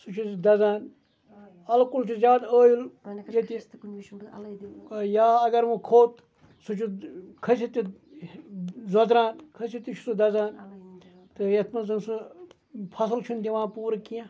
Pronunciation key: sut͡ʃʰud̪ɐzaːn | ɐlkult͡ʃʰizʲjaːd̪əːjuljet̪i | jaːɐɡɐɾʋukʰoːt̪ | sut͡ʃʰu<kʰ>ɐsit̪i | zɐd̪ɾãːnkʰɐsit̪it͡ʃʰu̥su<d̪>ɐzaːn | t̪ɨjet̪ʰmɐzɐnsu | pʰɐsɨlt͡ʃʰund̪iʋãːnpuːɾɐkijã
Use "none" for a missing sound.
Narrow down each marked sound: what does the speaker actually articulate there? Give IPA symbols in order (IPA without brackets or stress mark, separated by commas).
kʰ, d̪